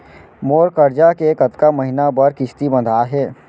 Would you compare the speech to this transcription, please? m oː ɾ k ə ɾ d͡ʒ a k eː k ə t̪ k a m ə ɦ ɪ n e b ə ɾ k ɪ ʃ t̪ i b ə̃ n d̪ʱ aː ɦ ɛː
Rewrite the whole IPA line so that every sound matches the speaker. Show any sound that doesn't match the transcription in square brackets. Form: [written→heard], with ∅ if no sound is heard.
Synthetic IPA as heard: m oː ɾ k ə ɾ d͡ʒ a k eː k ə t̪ k a m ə ɦ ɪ n [e→a] b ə ɾ k ɪ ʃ t̪ i b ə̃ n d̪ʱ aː ɦ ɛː